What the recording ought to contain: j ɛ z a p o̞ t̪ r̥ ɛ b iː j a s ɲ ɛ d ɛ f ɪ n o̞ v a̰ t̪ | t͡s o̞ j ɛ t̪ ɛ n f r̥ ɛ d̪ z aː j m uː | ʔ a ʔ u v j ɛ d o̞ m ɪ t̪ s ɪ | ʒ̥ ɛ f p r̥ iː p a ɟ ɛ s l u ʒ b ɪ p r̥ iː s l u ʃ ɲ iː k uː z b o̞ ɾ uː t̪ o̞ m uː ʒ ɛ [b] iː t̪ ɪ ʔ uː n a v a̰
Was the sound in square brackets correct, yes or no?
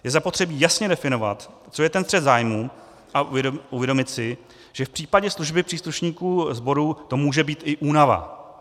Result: yes